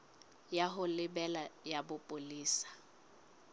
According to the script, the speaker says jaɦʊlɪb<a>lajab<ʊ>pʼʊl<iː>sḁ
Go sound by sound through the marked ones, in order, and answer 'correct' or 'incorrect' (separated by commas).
incorrect, correct, correct